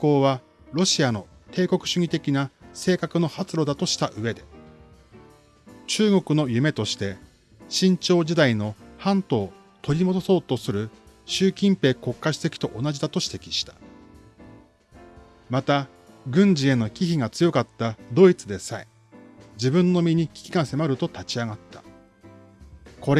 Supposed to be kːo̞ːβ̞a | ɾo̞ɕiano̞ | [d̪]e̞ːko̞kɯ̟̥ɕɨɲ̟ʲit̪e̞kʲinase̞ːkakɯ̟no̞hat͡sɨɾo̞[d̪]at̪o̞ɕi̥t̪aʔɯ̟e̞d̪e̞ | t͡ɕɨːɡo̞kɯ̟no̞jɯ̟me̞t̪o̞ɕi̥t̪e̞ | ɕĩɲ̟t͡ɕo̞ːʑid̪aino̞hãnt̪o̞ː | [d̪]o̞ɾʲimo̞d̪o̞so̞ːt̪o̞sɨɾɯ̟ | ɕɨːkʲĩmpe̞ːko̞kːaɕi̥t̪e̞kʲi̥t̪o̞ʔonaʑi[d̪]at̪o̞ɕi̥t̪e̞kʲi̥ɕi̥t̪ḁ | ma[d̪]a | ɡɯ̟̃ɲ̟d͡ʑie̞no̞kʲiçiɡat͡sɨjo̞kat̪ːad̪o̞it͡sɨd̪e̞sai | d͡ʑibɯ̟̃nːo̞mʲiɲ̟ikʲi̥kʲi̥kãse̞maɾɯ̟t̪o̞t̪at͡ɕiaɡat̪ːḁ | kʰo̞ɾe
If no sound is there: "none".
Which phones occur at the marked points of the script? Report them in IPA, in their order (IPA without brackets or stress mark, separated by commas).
t̪, d̪, t̪, d̪, t̪